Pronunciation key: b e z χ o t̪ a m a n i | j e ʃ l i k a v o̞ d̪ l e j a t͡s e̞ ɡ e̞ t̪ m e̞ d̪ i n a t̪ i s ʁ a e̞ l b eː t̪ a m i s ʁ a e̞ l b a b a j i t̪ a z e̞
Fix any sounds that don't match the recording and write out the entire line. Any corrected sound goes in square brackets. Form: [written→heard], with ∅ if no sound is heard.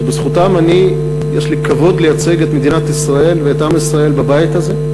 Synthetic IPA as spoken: b e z χ [o→u] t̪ a m a n i | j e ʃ l i k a v o̞ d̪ l e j a t͡s e̞ ɡ e̞ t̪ m e̞ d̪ i n a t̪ i s ʁ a e̞ l [b→v] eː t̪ a m i s ʁ a e̞ l b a b a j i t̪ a z e̞